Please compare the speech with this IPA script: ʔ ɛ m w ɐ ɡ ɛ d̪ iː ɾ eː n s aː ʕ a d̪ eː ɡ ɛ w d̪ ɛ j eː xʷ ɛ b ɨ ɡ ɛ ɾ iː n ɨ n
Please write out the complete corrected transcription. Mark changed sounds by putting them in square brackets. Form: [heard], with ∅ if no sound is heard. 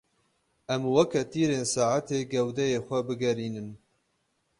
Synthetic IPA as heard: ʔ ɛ m w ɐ [k] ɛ [t̪] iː ɾ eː n s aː ʕ a [t̪] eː ɡ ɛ w d̪ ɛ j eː xʷ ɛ b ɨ ɡ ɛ ɾ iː n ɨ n

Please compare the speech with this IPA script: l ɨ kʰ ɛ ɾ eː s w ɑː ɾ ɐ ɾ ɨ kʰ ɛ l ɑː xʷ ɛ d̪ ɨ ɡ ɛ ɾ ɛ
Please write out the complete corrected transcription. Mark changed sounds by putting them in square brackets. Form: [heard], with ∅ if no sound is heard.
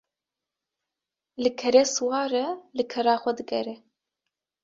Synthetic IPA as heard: l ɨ kʰ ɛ ɾ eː s w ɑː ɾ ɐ [l] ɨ kʰ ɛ [ɾ] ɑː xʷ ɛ d̪ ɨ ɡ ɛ ɾ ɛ

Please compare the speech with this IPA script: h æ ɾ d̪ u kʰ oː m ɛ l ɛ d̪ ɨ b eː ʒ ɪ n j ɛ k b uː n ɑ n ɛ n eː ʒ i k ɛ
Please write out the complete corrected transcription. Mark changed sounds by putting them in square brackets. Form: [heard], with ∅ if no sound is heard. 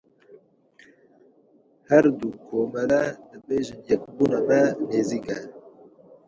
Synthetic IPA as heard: h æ ɾ d̪ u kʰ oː m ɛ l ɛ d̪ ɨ b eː ʒ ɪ n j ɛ k b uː n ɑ [m] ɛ n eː [z] i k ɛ

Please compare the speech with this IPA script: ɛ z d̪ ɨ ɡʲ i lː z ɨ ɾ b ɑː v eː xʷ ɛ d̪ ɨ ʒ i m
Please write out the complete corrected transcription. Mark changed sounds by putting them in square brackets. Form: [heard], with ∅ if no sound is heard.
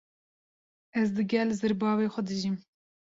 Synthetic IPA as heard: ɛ z d̪ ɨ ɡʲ [ɛ] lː z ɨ ɾ b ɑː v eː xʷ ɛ d̪ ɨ ʒ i m

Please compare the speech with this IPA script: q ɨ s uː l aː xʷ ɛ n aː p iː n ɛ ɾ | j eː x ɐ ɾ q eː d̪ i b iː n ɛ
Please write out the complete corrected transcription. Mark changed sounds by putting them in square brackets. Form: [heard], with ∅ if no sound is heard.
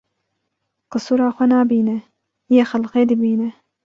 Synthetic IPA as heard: q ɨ s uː [ɾ] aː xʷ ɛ n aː [b] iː n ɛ [∅] | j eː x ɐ [l] q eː d̪ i b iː n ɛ

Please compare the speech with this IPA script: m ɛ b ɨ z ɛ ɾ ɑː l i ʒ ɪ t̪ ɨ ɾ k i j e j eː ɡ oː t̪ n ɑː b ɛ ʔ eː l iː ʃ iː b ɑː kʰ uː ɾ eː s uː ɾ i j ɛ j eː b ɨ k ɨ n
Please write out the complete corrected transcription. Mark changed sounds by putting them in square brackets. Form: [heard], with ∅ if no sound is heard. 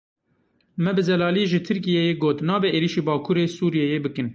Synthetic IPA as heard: m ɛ b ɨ z ɛ [l] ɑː l i ʒ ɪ [t̪ʰ] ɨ ɾ k i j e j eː ɡ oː t̪ n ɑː b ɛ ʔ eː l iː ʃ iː b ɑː kʰ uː ɾ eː s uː ɾ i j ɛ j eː b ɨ k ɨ n

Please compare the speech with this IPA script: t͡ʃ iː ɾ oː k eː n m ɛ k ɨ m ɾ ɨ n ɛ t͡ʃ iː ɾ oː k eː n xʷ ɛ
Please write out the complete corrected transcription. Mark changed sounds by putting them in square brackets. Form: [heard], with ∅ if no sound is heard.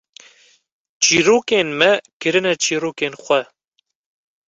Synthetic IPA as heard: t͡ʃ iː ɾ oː k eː n m ɛ k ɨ [∅] ɾ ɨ n ɛ t͡ʃ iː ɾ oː k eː n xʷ ɛ

